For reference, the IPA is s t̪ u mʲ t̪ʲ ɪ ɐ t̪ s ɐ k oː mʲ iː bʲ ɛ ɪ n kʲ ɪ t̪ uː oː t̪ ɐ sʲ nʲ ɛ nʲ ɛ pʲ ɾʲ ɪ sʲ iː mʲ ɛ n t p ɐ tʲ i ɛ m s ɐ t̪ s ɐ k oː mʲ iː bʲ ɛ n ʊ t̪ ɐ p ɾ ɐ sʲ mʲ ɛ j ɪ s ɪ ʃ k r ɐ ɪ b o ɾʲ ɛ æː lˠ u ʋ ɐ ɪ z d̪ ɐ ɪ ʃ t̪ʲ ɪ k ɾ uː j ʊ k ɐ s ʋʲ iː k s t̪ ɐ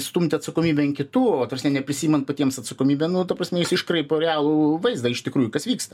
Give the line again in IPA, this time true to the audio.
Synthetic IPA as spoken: s t̪ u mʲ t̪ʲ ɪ ɐ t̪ s ɐ k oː mʲ iː bʲ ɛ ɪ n kʲ ɪ t̪ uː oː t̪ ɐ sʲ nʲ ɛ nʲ ɛ pʲ ɾʲ ɪ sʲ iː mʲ ɛ n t p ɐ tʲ i ɛ m s ɐ t̪ s ɐ k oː mʲ iː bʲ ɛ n ʊ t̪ ɐ p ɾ ɐ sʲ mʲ ɛ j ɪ s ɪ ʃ k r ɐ ɪ p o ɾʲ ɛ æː lˠ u ʋ ɐ ɪ z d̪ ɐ ɪ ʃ t̪ʲ ɪ k ɾ uː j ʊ k ɐ s ʋʲ iː k s t̪ ɐ